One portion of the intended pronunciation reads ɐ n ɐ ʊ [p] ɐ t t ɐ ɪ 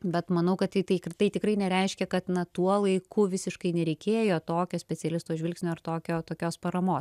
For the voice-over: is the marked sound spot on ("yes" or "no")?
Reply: no